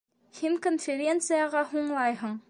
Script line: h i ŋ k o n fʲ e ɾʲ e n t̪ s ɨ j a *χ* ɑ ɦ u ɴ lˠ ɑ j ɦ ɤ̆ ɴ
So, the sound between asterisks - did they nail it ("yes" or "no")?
no